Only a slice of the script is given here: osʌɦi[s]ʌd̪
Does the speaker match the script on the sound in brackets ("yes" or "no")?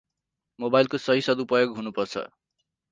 yes